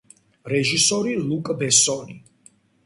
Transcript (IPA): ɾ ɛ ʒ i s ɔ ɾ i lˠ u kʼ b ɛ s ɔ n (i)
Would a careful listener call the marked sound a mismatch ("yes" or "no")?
no